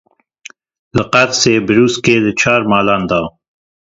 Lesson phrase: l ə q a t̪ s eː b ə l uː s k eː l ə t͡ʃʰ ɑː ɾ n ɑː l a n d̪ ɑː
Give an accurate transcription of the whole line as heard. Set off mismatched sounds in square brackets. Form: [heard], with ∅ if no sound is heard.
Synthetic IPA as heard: l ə q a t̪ s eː b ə [ɾ] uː s k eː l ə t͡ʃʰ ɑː ɾ [m] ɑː l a n d̪ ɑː